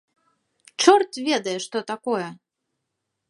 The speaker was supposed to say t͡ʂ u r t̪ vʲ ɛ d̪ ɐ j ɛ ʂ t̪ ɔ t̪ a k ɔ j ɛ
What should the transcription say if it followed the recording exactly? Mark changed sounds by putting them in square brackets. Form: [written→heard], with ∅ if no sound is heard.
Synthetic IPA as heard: t͡ʂ [u→ɔ] r t̪ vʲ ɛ d̪ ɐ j ɛ ʂ t̪ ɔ t̪ a k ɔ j ɛ